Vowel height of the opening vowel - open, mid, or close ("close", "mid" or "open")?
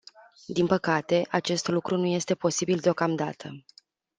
close